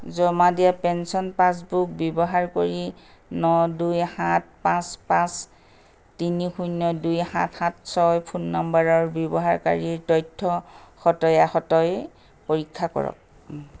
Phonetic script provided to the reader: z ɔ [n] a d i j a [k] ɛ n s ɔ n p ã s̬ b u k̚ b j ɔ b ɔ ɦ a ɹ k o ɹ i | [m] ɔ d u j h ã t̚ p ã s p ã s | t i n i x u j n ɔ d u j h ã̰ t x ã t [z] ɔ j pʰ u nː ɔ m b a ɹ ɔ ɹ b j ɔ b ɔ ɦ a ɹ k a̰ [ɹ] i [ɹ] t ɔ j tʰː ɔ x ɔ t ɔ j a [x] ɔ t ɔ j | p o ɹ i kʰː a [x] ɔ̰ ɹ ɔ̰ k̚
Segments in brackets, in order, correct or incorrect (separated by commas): incorrect, incorrect, incorrect, incorrect, correct, correct, correct, incorrect